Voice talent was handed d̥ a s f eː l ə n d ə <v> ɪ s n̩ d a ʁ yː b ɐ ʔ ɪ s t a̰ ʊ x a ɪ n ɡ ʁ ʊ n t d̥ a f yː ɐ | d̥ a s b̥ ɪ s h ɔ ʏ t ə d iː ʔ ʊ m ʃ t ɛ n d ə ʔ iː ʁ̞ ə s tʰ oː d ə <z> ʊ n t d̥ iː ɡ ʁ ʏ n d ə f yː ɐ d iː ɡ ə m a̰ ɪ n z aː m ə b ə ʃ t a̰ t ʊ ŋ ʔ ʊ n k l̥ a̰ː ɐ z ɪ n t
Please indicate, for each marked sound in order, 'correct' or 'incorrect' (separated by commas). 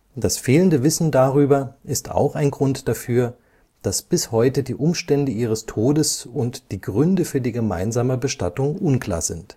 correct, incorrect